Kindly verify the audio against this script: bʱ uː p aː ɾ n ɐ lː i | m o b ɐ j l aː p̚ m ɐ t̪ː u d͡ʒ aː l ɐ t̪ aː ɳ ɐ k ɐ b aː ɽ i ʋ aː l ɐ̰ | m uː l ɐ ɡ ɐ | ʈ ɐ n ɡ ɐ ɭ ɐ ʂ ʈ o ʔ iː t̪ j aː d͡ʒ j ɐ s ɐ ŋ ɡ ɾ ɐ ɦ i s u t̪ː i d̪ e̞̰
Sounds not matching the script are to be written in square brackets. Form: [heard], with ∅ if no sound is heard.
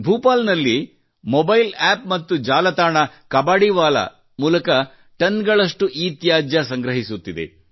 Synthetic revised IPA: bʱ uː p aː [l] n ɐ lː i | m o b ɐ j l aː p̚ m ɐ t̪ː u d͡ʒ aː l ɐ t̪ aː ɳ ɐ k ɐ b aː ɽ i ʋ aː l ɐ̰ | m uː l ɐ [k] ɐ | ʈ ɐ n ɡ ɐ ɭ ɐ ʂ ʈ [u] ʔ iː t̪ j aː d͡ʒ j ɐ s ɐ ŋ ɡ ɾ ɐ ɦ i s u t̪ː i d̪ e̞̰